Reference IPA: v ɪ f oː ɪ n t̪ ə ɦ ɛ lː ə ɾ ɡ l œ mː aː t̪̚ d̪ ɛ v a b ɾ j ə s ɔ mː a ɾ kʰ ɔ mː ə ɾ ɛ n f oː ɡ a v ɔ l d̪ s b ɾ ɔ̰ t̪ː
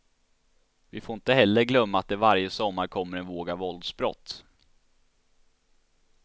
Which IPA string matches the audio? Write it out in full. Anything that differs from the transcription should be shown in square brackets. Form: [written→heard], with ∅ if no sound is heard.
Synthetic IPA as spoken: v ɪ f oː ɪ n t̪ ə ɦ ɛ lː ə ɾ ɡ l œ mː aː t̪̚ d̪ ɛ v a [b→∅] ɾ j ə s ɔ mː a ɾ kʰ ɔ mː ə ɾ ɛ n [f→v] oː ɡ a v ɔ l d̪ s b ɾ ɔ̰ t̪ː